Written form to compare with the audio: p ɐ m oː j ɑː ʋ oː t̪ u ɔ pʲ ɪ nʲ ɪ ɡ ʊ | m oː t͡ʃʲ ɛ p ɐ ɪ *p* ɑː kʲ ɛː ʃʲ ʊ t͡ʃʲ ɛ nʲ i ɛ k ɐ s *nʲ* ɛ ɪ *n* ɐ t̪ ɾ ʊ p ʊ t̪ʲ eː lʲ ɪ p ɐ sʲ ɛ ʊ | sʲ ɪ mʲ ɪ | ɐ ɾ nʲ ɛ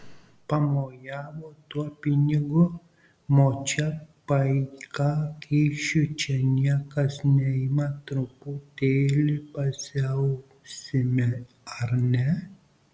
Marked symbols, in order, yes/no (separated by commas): no, yes, no